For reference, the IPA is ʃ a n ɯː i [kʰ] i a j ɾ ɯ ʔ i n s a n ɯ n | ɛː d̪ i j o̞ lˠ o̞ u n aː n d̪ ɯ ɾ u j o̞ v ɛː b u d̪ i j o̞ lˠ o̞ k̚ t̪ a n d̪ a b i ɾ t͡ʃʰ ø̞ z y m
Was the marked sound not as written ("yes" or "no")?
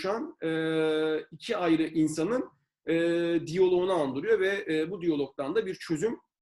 yes